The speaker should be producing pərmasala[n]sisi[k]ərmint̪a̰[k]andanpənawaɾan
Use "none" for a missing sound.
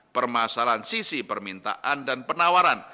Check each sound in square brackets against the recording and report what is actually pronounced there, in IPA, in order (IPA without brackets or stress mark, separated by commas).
n, p, ʔ